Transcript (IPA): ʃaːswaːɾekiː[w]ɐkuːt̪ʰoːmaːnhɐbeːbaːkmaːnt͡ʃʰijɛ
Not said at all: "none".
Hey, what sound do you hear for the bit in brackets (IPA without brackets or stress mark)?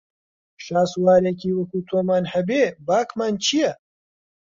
w